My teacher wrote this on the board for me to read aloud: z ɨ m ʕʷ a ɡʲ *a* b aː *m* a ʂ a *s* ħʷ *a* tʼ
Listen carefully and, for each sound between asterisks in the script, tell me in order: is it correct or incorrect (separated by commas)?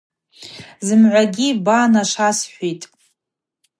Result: incorrect, incorrect, correct, incorrect